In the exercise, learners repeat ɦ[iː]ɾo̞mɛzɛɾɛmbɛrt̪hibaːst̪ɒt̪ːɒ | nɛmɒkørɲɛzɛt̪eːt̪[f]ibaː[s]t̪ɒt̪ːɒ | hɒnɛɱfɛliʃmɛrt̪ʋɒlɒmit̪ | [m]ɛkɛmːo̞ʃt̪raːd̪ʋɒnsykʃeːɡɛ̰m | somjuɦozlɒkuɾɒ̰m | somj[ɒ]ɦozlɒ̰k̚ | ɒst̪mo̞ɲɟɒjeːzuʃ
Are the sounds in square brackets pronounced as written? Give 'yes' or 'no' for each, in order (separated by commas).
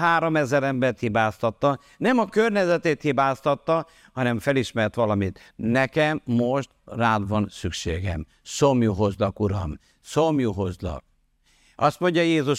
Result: no, no, yes, no, no